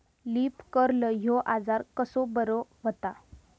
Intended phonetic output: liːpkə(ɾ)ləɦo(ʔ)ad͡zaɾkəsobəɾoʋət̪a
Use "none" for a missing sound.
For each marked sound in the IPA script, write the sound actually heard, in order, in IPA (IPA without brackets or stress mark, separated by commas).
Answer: ɾ, ʔ